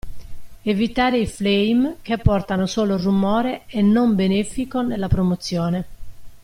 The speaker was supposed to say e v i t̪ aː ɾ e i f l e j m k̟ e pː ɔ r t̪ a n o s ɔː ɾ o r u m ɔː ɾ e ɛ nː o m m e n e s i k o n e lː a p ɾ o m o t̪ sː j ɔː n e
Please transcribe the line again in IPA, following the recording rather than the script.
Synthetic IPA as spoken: e v i t̪ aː ɾ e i f l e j m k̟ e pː ɔ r t̪ a n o s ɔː l o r u m ɔː ɾ e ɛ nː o m b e n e f i k o n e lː a p ɾ o m o t̪ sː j ɔː n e